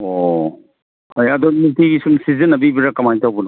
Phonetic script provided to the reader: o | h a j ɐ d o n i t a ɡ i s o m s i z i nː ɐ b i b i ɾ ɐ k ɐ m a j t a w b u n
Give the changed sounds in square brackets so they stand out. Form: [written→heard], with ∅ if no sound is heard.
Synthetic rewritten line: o | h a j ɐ d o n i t [a→i] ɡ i s [o→u] m s i z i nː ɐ b i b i ɾ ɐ k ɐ m a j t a w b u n